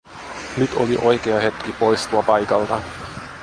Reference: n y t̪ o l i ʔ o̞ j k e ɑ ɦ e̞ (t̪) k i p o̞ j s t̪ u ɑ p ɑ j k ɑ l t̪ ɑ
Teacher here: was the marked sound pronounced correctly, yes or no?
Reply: yes